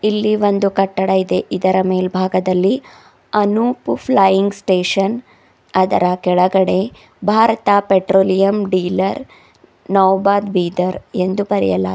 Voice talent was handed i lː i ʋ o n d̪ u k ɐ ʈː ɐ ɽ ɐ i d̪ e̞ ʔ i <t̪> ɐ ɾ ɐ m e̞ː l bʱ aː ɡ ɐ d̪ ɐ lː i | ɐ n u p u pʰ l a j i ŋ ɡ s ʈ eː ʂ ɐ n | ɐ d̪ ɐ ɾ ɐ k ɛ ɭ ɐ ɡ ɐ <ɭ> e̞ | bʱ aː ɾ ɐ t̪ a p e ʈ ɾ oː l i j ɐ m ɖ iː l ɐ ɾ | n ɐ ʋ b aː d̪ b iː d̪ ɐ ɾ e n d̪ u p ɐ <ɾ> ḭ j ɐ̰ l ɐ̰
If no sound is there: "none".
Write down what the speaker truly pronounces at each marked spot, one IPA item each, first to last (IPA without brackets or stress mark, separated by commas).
d̪, ɽ, ɾ